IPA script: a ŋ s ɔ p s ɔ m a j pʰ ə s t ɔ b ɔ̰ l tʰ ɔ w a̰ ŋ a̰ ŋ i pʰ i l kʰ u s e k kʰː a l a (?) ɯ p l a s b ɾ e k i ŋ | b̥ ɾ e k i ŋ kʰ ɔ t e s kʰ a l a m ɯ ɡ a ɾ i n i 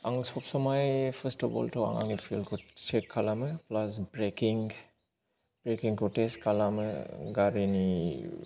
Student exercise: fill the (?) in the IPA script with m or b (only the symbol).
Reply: m